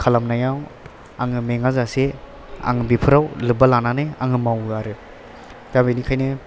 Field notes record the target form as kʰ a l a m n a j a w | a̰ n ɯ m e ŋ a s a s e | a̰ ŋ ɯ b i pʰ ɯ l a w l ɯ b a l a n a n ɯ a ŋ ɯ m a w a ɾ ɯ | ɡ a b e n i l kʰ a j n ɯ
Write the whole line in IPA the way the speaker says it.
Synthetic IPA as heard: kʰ a l a m n a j a w | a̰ ŋ ɯ m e ŋ a z a s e | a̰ ŋ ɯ b i pʰ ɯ ɾ a w l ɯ b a l a n a n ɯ a ŋ ɯ m a w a ɾ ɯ | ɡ a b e n i kʰ a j n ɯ